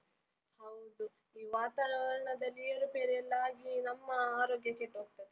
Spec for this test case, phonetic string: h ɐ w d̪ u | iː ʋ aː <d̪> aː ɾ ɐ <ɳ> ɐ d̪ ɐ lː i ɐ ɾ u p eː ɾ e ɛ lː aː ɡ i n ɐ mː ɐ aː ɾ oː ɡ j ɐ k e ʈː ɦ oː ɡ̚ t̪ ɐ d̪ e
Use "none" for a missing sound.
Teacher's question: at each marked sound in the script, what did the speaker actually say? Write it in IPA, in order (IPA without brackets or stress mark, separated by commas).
t̪, ɳ